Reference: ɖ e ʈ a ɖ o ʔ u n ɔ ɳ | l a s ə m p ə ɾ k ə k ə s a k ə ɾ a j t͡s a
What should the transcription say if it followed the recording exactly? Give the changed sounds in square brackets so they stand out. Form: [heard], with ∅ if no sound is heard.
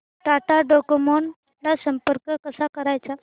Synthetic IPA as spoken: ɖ [a] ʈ a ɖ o [k] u [m] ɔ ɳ | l a s ə m p ə ɾ k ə k ə s a k ə ɾ a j t͡s a